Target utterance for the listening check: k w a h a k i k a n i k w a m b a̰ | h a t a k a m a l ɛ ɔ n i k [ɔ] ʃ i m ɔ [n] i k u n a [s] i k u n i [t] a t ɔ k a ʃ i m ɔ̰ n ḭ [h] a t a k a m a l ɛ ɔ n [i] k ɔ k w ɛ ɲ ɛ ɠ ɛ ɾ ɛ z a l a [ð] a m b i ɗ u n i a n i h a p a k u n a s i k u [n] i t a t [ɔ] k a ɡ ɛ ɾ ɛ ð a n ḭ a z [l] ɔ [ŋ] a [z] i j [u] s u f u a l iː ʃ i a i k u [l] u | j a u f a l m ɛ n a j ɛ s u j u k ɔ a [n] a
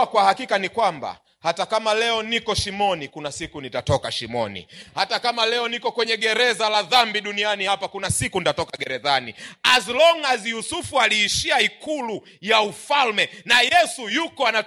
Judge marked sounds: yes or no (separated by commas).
yes, yes, yes, yes, yes, yes, yes, yes, yes, yes, yes, yes, yes, yes, yes